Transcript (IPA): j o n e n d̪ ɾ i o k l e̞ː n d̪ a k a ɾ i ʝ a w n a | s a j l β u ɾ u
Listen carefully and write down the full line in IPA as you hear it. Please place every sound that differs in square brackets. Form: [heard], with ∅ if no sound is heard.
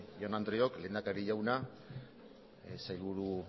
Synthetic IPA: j o n [a] n d̪ ɾ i o k l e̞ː n d̪ a k a ɾ i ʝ a w n a | s a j l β u ɾ u